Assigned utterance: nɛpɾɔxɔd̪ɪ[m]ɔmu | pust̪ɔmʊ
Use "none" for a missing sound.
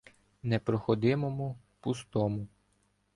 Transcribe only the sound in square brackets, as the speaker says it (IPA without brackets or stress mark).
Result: m